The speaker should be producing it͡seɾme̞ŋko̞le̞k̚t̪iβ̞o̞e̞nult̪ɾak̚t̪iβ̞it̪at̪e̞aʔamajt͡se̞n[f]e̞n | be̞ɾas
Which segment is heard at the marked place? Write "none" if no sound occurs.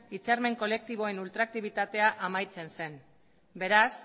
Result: s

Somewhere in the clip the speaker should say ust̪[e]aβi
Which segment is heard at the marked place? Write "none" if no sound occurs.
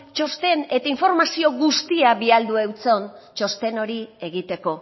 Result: i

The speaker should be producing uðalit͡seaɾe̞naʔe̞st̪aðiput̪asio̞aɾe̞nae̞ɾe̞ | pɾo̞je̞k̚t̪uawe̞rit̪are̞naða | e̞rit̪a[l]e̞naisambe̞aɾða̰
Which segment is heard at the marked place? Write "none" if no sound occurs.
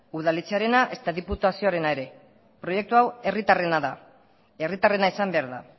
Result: r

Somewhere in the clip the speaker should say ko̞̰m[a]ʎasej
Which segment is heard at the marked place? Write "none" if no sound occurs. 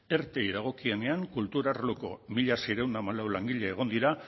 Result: i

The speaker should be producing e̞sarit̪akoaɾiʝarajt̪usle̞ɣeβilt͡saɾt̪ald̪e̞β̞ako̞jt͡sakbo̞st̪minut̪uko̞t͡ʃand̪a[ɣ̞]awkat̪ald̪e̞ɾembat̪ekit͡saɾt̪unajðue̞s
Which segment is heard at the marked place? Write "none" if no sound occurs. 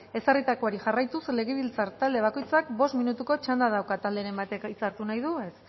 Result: ð̞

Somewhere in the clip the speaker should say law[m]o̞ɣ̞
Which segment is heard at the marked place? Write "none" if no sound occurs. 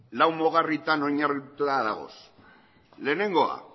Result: m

